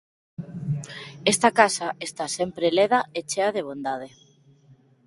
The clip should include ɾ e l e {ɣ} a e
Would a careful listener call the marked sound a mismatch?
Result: yes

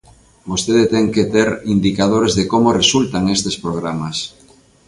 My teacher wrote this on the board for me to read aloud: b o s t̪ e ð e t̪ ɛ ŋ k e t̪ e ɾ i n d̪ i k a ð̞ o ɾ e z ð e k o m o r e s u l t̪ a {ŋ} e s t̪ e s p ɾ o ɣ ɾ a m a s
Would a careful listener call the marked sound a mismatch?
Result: no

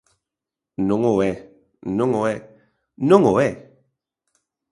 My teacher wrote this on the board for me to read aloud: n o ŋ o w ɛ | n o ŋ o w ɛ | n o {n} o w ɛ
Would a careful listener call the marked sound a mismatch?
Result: yes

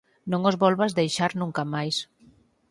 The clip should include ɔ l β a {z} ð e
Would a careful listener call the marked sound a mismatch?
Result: no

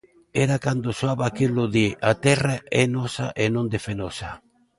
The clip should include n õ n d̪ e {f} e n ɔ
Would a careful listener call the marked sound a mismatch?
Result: no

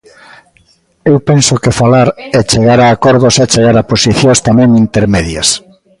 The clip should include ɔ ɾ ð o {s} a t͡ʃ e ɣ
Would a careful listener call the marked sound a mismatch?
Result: no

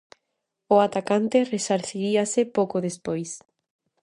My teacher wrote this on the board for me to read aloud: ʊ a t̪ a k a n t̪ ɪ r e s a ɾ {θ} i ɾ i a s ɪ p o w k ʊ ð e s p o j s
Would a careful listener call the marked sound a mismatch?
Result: no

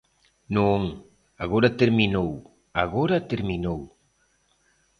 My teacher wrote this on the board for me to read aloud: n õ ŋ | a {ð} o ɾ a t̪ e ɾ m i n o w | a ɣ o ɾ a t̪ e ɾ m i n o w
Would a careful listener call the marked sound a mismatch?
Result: yes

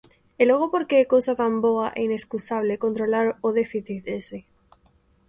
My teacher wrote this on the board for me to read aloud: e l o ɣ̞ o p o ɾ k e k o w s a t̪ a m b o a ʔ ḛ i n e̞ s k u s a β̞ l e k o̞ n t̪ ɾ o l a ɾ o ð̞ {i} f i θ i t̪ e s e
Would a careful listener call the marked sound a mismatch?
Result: yes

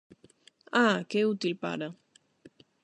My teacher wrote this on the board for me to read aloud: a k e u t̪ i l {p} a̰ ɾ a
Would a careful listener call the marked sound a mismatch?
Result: no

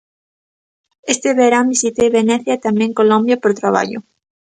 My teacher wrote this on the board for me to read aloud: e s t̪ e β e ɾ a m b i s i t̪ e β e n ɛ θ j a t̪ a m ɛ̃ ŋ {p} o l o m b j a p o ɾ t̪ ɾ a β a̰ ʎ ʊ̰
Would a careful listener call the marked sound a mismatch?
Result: yes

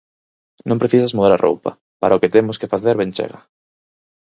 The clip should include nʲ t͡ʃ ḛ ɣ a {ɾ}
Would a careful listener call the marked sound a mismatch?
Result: yes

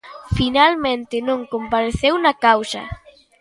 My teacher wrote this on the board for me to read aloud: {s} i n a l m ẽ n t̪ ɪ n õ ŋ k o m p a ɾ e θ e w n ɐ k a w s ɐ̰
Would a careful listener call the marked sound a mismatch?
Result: yes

